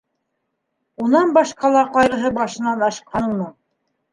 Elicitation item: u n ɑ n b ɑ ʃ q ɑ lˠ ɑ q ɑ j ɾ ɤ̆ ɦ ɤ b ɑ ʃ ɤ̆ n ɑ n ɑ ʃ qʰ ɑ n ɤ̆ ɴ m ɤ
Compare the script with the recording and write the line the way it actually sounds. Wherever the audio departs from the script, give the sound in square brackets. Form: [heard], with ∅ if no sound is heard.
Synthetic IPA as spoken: u n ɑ n b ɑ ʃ q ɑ lˠ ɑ q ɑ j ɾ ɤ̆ ɦ ɤ b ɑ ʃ ɤ̆ n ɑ n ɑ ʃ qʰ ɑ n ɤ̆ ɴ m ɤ